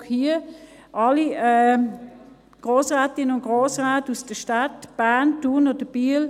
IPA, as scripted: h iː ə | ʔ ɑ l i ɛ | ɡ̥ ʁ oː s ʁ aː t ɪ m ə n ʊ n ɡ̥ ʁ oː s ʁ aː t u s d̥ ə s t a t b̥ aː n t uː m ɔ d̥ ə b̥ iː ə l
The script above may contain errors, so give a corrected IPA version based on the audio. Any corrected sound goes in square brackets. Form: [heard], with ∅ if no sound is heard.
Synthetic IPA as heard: h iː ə | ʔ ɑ l i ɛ | ɡ̥ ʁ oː s ʁ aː t ɪ [n] ə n ʊ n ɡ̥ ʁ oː s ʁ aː t u s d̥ ə [ʃ] t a t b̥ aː n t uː [n] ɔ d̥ ə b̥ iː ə l